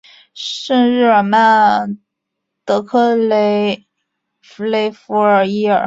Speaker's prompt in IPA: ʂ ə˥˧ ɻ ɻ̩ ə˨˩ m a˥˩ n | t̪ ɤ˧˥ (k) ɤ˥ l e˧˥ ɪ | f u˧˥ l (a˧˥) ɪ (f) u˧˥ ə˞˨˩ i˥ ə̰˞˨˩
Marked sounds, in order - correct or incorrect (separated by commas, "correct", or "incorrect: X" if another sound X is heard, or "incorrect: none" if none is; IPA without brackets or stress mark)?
incorrect: kʰ, incorrect: e˧˥, correct